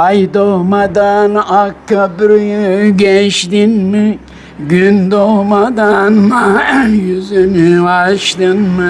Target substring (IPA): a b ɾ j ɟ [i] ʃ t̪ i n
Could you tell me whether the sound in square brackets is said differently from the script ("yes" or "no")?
yes